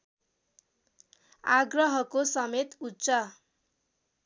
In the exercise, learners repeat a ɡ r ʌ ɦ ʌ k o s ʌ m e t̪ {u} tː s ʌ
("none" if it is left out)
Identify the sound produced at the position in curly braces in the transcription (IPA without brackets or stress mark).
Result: u